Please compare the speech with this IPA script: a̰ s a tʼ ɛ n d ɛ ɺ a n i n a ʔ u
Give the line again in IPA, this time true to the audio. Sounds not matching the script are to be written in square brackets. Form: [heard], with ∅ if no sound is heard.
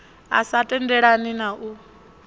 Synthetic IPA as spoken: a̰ s a tʼ ɛ n d ɛ ɺ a n i n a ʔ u